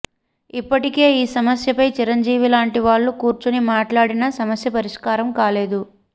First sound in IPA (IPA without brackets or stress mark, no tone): i